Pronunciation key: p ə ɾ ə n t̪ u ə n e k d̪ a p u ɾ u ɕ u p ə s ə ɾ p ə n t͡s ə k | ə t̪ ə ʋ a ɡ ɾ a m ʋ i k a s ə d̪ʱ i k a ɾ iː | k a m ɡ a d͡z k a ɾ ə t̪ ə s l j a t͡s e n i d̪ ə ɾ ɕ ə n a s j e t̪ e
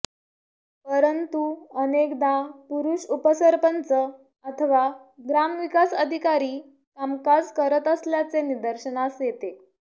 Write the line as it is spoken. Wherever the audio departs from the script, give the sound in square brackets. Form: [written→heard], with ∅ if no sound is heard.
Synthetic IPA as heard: p ə ɾ ə n t̪ u ə n e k d̪ a p u ɾ u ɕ u p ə s ə ɾ p ə n t͡s ə [k→∅] | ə [t̪→t̪ʰ] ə ʋ a ɡ ɾ a m ʋ i k a s ə d̪ʱ i k a ɾ iː | k a m [ɡ→k] a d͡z k [a→ə] ɾ ə t̪ ə s l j a t͡s e n i d̪ ə ɾ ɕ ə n a s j e t̪ e